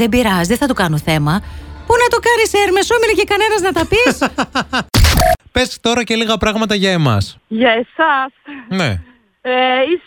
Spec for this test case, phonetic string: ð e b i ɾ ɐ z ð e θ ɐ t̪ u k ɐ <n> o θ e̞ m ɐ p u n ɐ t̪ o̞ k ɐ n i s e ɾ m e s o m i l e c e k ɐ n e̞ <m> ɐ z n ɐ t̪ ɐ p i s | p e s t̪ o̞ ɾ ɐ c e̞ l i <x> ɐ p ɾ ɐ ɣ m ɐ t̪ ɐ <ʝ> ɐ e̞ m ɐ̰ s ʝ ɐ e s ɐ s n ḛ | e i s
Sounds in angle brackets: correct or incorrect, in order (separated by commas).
correct, incorrect, incorrect, correct